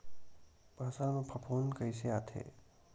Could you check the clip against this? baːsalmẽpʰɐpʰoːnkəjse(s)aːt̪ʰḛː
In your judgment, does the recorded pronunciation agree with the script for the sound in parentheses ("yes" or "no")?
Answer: no